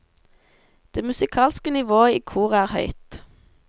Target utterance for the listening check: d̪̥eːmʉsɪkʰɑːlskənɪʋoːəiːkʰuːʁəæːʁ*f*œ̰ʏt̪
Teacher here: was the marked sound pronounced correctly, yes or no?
no